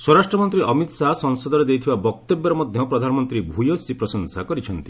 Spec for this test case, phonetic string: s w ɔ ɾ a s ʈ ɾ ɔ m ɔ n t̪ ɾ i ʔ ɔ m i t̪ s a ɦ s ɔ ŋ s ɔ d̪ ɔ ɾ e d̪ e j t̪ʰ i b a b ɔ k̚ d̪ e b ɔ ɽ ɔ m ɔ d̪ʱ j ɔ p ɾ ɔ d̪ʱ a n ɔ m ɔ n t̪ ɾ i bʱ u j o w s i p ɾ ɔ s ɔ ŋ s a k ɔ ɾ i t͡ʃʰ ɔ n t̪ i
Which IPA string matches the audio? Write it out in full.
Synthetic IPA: s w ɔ ɾ a s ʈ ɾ ɔ m ɔ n t̪ ɾ i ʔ ɔ m i t̪ s a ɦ s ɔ ŋ s ɔ d̪ ɔ ɾ e d̪ e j t̪ʰ i b a b ɔ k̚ t̪ e b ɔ ɾ ɔ m ɔ d̪ʱ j ɔ p ɾ ɔ d̪ʱ a n ɔ m ɔ n t̪ ɾ i bʱ u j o s i p ɾ ɔ s ɔ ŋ s a k ɔ ɾ i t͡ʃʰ ɔ n t̪ i